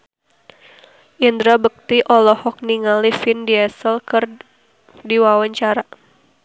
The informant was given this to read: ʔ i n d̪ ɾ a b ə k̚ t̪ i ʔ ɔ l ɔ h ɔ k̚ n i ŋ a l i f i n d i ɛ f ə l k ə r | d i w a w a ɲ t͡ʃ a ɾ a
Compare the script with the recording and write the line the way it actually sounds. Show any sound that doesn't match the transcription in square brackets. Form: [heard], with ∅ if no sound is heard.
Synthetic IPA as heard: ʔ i n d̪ ɾ a b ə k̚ t̪ i ʔ ɔ l ɔ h ɔ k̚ n i ŋ a l i f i n d i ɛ [s] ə l k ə r | d i w a w a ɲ t͡ʃ a ɾ a